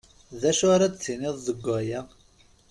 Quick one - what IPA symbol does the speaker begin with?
ð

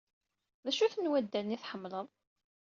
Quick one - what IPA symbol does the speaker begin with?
ð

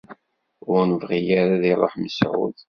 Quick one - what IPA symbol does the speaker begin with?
ʊ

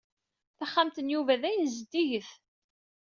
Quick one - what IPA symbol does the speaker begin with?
θ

